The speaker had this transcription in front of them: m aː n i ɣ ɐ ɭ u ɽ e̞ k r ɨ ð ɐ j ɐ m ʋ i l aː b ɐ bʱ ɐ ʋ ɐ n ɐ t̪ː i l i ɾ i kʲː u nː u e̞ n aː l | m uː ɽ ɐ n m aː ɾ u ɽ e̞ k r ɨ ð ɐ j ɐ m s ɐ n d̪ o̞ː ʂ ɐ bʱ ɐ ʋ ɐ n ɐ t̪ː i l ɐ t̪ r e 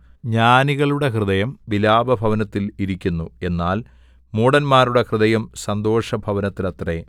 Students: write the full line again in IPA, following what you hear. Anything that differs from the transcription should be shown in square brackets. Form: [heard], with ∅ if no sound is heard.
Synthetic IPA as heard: [ɲ] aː n i ɣ ɐ ɭ u ɽ e̞ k r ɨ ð ɐ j ɐ m ʋ i l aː b ɐ bʱ ɐ ʋ ɐ n ɐ t̪ː i l i ɾ i kʲː u nː u e̞ [nː] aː l | m uː ɽ ɐ n m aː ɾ u ɽ e̞ k r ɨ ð ɐ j ɐ m s ɐ n d̪ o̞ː ʂ ɐ bʱ ɐ ʋ ɐ n ɐ t̪ː i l ɐ t̪ r e